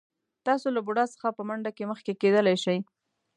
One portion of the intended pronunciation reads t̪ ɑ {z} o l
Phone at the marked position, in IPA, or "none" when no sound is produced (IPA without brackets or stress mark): s